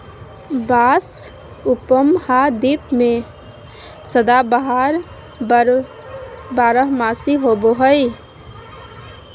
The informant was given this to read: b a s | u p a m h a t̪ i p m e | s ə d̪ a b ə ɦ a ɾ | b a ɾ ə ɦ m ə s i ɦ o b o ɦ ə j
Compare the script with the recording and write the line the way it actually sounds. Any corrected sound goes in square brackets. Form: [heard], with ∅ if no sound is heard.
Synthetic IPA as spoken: b a s | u p [ə] m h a [d̪] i p m e | s ə d̪ a b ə ɦ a ɾ | b a ɾ ə ɦ m [a] s i ɦ o b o ɦ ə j